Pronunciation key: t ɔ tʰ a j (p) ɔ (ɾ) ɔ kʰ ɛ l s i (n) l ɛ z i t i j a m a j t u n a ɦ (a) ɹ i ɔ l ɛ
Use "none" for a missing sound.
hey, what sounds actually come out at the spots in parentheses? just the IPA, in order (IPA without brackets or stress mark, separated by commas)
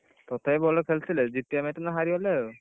b, l, none, a